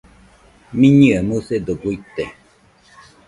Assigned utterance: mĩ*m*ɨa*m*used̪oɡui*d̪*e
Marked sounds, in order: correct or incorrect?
incorrect: ɲ, correct, incorrect: t̪

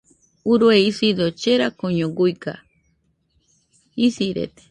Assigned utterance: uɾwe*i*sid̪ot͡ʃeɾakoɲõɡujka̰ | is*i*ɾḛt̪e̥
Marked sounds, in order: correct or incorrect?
correct, correct

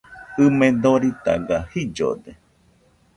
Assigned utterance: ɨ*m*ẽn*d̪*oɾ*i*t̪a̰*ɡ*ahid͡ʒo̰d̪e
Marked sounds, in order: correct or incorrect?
correct, correct, correct, correct

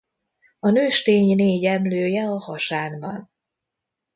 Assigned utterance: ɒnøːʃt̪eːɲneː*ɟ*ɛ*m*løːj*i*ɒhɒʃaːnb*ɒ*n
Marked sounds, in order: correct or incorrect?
correct, correct, incorrect: ɛ, correct

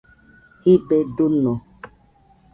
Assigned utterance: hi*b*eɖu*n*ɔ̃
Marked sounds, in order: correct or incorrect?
correct, correct

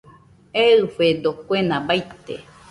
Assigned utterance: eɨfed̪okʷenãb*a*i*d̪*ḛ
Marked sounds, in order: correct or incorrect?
correct, incorrect: t̪

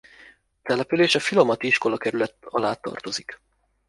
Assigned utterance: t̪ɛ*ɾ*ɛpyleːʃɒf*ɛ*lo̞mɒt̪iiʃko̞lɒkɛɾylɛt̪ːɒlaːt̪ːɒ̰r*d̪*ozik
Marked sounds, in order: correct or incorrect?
incorrect: l, incorrect: i, incorrect: t̪

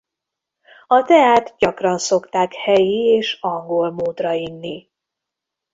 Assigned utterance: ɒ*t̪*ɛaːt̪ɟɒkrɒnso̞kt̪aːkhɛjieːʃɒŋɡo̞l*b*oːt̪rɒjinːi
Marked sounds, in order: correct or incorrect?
correct, incorrect: m

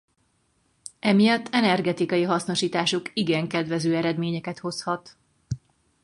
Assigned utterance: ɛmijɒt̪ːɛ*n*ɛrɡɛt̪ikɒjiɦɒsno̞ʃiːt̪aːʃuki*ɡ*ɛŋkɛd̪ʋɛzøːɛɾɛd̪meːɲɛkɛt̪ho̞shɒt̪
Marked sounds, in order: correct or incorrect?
correct, correct

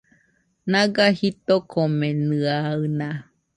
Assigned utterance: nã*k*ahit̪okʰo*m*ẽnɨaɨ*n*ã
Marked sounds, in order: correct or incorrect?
incorrect: ɡ, correct, correct

